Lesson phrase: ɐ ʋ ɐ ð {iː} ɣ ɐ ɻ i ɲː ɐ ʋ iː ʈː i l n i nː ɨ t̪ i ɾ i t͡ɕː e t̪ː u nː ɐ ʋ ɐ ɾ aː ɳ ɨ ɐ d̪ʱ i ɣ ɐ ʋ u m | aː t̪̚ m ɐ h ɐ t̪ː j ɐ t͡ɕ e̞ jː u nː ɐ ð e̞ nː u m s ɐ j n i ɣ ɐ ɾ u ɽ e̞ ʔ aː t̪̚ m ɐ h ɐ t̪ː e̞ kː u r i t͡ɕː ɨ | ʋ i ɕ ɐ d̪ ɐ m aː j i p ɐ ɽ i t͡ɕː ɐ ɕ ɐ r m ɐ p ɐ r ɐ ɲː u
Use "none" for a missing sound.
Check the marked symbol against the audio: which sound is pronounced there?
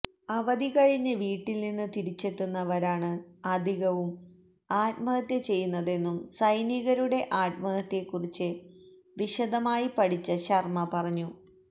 i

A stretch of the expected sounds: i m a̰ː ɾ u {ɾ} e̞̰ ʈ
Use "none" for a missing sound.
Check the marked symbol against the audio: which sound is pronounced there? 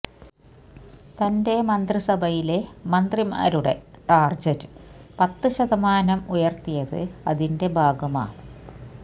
ɽ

